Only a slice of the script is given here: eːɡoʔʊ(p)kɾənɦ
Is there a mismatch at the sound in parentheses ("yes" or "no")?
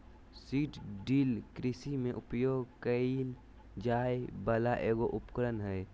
no